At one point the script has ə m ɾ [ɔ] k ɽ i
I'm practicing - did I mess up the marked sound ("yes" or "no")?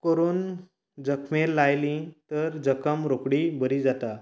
yes